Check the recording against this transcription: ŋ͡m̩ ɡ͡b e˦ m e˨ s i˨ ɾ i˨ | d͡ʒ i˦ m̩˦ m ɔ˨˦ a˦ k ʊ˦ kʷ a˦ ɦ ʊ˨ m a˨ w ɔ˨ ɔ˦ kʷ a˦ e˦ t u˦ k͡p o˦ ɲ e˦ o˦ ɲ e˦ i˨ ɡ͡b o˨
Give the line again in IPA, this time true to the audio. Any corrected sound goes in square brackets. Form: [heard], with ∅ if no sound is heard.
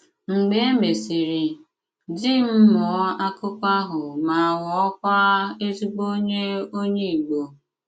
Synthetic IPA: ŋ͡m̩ ɡ͡b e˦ m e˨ s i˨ ɾ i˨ | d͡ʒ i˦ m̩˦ m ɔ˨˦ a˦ k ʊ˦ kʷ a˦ ɦ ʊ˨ m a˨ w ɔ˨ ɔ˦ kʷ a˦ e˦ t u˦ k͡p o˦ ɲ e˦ o˦ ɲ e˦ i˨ ɡ͡b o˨

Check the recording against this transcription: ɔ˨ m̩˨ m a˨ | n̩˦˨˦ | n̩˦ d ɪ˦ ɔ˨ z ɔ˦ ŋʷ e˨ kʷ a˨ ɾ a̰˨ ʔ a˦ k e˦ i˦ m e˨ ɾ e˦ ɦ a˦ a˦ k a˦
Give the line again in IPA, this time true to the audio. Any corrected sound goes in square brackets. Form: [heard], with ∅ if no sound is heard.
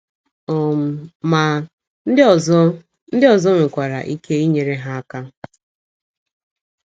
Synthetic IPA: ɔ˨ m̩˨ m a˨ | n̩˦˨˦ | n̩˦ d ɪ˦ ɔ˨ z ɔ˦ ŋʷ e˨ kʷ a˨ ɾ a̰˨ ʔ [i˦] k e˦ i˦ [ɲ] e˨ ɾ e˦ ɦ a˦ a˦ k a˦

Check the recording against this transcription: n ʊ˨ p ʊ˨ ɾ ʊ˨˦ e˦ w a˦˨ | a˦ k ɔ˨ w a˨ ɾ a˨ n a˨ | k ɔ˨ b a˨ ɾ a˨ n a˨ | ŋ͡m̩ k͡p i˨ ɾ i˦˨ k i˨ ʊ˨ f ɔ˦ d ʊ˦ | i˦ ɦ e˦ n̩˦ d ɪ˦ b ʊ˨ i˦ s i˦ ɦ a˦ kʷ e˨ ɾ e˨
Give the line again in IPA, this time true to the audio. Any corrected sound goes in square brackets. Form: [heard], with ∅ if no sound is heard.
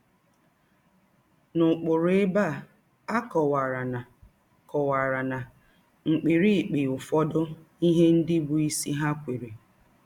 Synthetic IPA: n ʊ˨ [k͡p] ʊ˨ ɾ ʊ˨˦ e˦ [b] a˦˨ | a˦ k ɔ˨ w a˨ ɾ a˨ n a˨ | k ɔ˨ [w] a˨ ɾ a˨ n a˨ | ŋ͡m̩ k͡p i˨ ɾ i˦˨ [k͡p] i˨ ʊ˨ f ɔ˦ d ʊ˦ | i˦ ɦ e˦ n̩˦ d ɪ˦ b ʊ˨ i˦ s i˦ ɦ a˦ kʷ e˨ ɾ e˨

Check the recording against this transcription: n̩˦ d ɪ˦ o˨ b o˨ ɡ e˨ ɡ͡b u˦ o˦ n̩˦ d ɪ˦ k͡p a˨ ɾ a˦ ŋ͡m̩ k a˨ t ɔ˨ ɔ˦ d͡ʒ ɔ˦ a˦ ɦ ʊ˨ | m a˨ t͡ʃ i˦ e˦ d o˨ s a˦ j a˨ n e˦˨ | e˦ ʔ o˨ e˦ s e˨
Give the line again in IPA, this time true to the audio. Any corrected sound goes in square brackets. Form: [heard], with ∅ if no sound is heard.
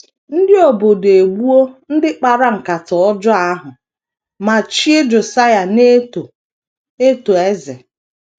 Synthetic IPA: n̩˦ d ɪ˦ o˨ b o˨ [d] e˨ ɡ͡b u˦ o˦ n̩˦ d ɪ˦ k͡p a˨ ɾ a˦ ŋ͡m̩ k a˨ t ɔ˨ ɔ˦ d͡ʒ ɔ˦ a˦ ɦ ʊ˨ | m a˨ t͡ʃ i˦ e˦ [d͡ʒ] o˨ s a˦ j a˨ n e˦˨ | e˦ [t] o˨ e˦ [z] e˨

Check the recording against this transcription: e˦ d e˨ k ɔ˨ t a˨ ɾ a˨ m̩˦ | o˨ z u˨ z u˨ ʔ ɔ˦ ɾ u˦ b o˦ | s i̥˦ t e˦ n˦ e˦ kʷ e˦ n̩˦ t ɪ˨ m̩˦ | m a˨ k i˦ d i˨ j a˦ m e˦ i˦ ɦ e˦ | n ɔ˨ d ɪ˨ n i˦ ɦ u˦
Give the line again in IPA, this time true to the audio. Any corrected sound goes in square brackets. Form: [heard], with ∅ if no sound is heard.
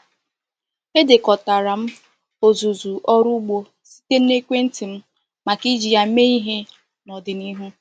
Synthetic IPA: e˦ d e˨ k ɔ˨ t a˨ ɾ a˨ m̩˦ | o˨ z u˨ z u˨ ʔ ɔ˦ ɾ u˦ [ɡ͡b] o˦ | s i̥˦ t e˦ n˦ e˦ kʷ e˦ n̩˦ t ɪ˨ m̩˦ | m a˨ k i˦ [d͡ʒ] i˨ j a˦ m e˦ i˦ ɦ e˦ | n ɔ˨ d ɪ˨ n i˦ ɦ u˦

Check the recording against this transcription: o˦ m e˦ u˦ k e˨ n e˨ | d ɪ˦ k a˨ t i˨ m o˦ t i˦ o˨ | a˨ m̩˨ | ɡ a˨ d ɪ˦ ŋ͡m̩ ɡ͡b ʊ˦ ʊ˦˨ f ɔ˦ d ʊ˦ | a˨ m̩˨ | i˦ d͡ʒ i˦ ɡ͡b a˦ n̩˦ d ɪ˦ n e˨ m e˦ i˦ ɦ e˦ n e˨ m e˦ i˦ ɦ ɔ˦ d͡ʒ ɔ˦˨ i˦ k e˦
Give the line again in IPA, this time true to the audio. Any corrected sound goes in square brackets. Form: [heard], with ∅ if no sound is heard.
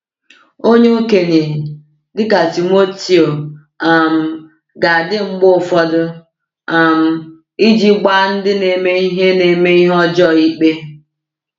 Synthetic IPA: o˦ [ɲ] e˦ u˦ k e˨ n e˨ | d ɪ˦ k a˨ t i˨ m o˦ t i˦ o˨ | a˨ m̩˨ | ɡ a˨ d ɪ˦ ŋ͡m̩ ɡ͡b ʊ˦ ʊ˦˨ f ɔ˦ d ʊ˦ | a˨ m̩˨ | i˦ d͡ʒ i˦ ɡ͡b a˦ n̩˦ d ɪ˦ n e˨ m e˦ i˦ ɦ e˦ n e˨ m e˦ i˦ ɦ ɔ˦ d͡ʒ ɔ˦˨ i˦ [k͡p] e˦

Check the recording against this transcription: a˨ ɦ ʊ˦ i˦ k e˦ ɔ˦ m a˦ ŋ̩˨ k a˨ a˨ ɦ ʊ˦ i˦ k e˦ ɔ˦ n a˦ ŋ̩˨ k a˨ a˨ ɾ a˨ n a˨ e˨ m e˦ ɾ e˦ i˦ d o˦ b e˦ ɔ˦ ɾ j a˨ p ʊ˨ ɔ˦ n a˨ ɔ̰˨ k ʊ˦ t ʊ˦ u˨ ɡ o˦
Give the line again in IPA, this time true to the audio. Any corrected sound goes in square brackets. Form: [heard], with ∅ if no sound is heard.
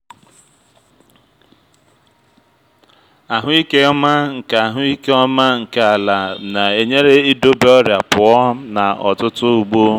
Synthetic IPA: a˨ ɦ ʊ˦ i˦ k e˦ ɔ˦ m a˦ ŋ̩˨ k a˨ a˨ ɦ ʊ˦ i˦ k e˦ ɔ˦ [m] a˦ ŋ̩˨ k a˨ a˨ [l] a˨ n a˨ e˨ [ɲ] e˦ ɾ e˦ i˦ d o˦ b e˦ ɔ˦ ɾ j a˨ p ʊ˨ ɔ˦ n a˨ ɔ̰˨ [t] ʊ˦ t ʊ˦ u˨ [ɡ͡b] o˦

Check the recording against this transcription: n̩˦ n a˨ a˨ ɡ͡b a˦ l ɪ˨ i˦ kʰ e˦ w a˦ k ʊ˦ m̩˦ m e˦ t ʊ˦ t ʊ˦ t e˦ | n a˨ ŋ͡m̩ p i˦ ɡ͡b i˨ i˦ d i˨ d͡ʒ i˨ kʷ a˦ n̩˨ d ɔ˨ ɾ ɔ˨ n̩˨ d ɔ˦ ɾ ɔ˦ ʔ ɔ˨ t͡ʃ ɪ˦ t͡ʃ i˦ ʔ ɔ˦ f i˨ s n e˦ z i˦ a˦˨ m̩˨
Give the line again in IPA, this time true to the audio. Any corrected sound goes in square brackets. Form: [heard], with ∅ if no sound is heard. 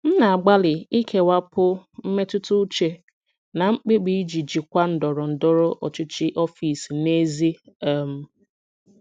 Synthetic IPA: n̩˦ n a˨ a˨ ɡ͡b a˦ l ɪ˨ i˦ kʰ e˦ w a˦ [p] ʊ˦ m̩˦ m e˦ t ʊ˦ t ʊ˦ [t͡ʃ] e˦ | n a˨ ŋ͡m̩ [k͡p] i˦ ɡ͡b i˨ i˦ [d͡ʒ] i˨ d͡ʒ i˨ kʷ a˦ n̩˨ d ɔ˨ ɾ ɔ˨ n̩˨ d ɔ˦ ɾ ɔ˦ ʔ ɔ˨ t͡ʃ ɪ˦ t͡ʃ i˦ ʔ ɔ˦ f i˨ s n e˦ z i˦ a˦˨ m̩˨

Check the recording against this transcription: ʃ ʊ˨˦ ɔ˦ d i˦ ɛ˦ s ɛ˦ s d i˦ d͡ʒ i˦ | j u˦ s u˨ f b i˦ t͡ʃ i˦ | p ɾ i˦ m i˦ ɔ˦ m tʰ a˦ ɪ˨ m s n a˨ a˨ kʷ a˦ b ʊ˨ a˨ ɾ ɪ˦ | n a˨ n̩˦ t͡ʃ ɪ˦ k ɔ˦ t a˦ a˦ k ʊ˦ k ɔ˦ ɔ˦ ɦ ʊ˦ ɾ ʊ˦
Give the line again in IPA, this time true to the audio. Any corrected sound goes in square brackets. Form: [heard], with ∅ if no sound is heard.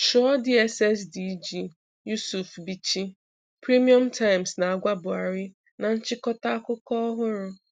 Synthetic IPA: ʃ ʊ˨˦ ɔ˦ d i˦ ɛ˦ s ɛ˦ s d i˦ d͡ʒ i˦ | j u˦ s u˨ f b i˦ t͡ʃ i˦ | p ɾ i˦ m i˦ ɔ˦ m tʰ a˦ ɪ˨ m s n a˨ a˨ [ɡʷ] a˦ b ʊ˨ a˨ ɾ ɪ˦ | n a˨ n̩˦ t͡ʃ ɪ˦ k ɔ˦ t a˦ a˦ k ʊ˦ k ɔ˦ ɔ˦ ɦ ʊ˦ ɾ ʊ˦

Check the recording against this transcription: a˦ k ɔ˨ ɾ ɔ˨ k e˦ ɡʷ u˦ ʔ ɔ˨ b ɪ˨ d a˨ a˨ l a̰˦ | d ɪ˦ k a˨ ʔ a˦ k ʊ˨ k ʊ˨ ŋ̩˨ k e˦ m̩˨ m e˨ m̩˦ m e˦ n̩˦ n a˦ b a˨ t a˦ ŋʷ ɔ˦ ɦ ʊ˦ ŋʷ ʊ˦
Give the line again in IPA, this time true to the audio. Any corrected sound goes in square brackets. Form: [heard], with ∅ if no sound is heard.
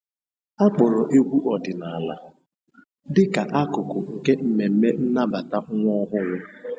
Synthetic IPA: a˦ [k͡p] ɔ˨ ɾ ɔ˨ [ʔ] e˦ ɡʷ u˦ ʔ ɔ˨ [d] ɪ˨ [n] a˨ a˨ l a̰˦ | d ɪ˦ k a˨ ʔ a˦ k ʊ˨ k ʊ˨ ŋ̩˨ k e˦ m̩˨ m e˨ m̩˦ m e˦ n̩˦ n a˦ b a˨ t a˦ ŋʷ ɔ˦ ɦ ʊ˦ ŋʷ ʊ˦

